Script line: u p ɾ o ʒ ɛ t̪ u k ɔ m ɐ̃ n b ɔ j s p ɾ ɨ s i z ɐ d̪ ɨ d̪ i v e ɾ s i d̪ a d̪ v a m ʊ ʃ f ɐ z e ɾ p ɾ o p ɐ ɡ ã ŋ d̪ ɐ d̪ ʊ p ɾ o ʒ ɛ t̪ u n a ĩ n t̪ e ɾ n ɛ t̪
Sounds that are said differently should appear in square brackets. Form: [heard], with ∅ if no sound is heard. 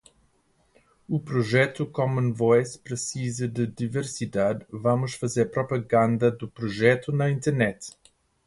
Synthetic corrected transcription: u p ɾ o ʒ ɛ t̪ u k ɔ m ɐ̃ n [v] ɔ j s p ɾ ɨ s i z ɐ d̪ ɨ d̪ i v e ɾ s i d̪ a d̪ v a m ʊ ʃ f ɐ z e ɾ p ɾ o p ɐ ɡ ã [n] d̪ ɐ d̪ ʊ p ɾ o ʒ ɛ t̪ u n [ɐ] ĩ n t̪ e ɾ n ɛ t̪